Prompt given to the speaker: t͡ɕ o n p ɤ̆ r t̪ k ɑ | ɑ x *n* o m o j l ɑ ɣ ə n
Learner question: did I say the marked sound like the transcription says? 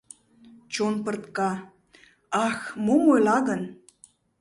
no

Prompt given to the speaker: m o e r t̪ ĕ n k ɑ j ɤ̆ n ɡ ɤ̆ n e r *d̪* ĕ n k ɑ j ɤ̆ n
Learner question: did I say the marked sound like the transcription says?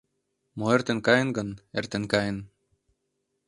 no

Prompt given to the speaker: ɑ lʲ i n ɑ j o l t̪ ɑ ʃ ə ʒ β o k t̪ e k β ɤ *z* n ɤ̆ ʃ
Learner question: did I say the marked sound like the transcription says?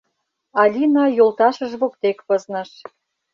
yes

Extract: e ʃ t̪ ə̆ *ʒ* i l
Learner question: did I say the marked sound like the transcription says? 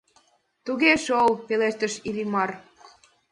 no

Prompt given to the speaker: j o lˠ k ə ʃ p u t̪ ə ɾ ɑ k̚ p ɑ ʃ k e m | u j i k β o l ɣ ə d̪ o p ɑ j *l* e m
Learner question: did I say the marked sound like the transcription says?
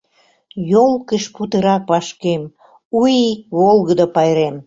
no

